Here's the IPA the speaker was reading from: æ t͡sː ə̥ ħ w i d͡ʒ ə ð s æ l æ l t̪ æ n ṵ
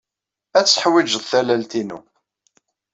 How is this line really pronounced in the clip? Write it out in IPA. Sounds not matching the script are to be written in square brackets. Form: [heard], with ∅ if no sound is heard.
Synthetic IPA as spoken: æ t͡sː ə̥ ħ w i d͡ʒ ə ð [θ] æ l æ l t̪ [i] n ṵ

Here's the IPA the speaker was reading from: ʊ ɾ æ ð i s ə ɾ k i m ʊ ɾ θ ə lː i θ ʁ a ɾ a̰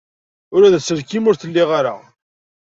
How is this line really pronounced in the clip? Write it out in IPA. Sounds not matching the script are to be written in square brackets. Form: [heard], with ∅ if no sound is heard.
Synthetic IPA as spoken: ʊ ɾ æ ð [æ] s ə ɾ k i m ʊ ɾ θ ə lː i [∅] ʁ a ɾ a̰

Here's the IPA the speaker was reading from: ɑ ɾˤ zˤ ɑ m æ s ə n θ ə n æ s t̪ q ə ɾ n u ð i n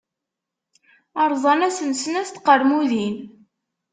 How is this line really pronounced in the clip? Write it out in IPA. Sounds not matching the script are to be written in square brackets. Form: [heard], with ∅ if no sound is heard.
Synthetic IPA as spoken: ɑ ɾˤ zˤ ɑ [n] æ s ə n [s] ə n æ s t̪ q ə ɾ [m] u ð i n

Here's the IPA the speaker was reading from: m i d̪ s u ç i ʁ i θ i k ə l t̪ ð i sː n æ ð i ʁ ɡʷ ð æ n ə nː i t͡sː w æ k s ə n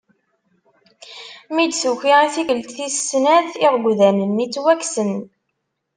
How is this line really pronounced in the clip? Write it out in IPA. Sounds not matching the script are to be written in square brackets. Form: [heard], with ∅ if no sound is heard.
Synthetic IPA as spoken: m i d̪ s u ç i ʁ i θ i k ə l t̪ [θ] i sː n æ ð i ʁ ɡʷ ð æ n ə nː i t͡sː w æ k s ə n

